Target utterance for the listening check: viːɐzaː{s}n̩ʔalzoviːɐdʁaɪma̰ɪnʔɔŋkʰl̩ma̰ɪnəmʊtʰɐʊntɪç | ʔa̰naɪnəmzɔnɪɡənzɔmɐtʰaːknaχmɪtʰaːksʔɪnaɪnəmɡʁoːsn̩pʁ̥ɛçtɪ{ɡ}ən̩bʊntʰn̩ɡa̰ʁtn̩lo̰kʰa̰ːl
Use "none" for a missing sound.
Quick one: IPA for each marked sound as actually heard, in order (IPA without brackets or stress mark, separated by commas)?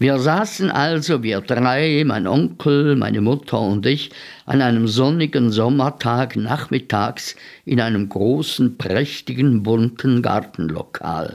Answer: s, ɡ